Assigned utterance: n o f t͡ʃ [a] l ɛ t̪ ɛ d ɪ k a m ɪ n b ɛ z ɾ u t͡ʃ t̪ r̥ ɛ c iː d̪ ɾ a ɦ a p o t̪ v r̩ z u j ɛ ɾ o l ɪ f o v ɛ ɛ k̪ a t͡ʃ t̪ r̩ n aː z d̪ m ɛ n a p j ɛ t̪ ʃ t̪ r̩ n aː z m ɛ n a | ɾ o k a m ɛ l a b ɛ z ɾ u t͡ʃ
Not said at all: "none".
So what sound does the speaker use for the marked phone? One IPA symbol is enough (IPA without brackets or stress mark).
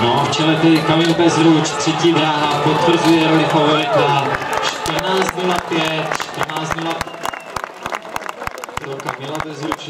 ɛ